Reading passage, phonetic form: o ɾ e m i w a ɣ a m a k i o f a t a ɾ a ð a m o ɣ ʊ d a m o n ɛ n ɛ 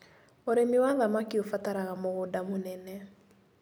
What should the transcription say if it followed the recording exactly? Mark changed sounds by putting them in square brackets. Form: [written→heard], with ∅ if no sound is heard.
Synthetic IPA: o ɾ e m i w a [ɣ→ð] a m a k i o f a t a ɾ a [ð→ɣ] a m o ɣ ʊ d a m o n ɛ n ɛ